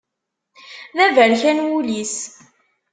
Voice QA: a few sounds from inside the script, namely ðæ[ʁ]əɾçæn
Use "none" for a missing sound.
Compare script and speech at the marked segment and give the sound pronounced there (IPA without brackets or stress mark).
v